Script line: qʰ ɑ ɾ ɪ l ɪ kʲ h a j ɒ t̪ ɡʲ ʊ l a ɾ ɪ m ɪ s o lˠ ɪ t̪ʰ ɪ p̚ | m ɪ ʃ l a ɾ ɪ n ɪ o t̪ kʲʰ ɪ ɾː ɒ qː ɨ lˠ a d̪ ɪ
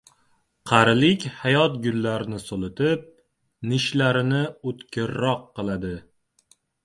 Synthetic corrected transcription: qʰ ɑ ɾ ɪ l ɪ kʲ h a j ɒ t̪ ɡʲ ʊ lː a ɾ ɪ n ɪ s o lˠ ɪ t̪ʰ ɪ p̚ | n ɪ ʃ l a ɾ ɪ n ɪ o t̪ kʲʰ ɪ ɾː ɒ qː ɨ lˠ a d̪ ɪ